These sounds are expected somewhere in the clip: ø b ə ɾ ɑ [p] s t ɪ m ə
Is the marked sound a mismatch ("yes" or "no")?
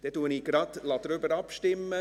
no